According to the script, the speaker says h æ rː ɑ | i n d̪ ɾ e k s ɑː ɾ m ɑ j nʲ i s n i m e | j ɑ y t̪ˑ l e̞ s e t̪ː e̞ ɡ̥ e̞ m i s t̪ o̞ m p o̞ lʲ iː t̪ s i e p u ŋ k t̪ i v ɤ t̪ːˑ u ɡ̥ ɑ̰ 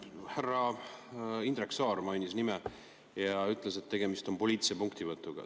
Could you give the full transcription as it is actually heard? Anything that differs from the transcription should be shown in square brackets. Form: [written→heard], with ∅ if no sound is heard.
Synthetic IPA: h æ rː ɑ | i n d̪ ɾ e k s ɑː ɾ m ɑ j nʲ i s n i m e | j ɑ y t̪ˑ l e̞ s e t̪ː e̞ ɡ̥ e̞ m i s t̪ o̞ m p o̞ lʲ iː t̪ s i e p u ŋ k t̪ i v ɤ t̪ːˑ u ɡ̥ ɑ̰